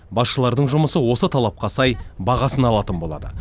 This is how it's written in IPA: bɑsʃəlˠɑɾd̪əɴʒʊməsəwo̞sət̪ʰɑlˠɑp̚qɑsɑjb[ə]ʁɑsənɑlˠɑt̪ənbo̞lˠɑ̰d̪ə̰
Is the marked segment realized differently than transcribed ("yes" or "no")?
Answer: yes